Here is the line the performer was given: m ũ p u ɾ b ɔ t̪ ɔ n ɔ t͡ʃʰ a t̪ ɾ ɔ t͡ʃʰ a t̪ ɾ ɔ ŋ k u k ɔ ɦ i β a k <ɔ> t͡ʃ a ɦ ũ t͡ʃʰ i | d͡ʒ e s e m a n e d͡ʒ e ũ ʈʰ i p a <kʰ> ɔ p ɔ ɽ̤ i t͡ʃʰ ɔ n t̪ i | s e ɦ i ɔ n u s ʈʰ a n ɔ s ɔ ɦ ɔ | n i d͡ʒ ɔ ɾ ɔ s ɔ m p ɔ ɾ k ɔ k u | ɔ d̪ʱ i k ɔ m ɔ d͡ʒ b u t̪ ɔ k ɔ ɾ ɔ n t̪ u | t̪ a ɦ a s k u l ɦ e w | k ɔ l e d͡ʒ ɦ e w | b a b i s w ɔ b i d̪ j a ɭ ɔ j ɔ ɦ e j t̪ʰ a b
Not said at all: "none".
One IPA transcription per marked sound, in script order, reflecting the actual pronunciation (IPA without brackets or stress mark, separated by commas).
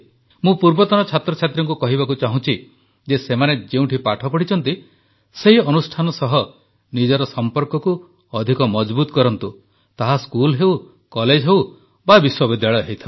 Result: u, ʈʰ